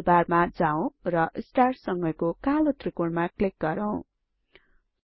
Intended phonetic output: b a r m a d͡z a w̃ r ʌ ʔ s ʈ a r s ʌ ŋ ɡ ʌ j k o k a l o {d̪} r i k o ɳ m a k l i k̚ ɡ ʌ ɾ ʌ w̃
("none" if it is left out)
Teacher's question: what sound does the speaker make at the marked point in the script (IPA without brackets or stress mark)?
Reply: t̪